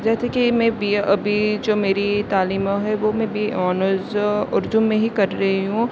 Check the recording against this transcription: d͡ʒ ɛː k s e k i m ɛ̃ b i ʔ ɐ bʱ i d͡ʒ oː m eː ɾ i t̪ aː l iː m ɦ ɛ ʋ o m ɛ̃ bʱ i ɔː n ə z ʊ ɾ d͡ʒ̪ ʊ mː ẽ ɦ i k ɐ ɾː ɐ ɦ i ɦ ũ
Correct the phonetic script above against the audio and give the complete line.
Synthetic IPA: d͡ʒ ɛː s e k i m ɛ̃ b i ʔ ɐ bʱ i d͡ʒ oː m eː ɾ i t̪ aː l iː m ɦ ɛ ʋ o m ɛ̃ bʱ i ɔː n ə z ʊ ɾ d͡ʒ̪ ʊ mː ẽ ɦ i k ɐ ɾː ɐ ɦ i ɦ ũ

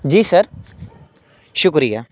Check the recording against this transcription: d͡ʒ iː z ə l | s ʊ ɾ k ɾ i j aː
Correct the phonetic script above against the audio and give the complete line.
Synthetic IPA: d͡ʒ iː s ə ɾ | ʃ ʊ k ɾ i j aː

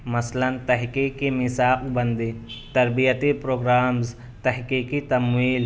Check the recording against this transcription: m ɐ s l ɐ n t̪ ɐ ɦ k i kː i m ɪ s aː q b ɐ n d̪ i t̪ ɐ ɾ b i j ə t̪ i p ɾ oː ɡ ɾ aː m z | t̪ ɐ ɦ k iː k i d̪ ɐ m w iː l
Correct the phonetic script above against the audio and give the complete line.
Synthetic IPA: m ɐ s l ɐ n t̪ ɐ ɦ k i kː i m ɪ s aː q b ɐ n d̪ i t̪ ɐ ɾ b i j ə t̪ i p ɾ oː ɡ ɾ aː m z | t̪ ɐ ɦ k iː k i t̪ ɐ m w iː l

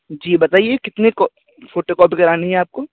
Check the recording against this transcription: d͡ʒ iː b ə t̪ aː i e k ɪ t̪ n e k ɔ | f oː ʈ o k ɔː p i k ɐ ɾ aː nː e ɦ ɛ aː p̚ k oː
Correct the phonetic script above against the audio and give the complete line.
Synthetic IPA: d͡ʒ iː b ɐ t̪ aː i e k ɪ t̪ n e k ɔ | f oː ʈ o k ɔː p i k ɐ ɾ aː n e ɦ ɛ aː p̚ k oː

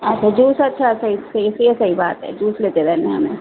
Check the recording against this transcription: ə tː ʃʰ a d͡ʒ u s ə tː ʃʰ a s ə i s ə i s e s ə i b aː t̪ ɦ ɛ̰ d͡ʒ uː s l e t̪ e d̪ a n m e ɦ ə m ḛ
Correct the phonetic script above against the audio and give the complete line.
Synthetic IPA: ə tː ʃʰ a d͡ʒ u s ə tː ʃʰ a s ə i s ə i s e s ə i b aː t̪ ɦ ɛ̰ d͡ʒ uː s l e t̪ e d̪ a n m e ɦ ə m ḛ

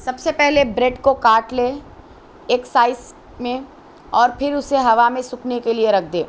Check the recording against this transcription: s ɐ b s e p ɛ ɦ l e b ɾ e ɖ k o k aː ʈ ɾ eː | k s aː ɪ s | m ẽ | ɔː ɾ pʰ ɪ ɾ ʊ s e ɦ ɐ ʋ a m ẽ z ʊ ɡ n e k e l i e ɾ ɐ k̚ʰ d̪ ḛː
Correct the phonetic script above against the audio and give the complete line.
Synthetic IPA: s ɐ b s e p ɛ ɦ l e b ɾ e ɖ k o k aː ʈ l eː | k s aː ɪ s | m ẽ | ɔː ɾ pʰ ɪ ɾ ʊ s e ɦ ɐ ʋ a m ẽ s ʊ k n e k e l i e ɾ ɐ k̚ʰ d̪ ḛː

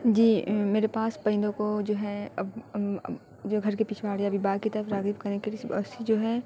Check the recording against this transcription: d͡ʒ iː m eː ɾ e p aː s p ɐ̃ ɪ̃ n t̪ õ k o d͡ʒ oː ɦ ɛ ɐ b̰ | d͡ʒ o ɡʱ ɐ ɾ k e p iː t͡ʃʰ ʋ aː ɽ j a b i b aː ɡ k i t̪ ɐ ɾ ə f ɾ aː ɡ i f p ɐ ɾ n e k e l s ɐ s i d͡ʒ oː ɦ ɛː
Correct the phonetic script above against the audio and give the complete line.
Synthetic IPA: d͡ʒ iː m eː ɾ e p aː s p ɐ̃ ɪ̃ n d̪ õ k o d͡ʒ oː ɦ ɛ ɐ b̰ | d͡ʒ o ɡʱ ɐ ɾ k e p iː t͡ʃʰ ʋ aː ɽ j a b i b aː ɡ k i t̪ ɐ ɾ ə f ɾ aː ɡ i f k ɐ ɾ n e k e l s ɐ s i d͡ʒ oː ɦ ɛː

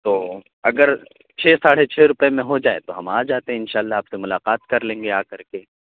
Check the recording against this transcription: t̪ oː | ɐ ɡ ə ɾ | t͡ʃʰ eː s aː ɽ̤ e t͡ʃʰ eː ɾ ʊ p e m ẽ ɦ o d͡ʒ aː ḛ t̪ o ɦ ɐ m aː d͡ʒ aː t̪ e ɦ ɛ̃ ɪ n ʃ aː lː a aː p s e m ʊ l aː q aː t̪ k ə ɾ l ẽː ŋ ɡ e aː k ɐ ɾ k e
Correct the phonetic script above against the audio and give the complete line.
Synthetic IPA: t̪ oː | ɐ ɡ ə ɾ | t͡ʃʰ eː s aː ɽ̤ e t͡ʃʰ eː ɾ ʊ p e m ẽ ɦ o d͡ʒ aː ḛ t̪ o ɦ ɐ m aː d͡ʒ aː t̪ e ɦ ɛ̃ ɪ n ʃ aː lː a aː p s e m ʊ l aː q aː t̪ k ɐ ɾ l ẽː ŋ ɡ e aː k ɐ ɾ k e

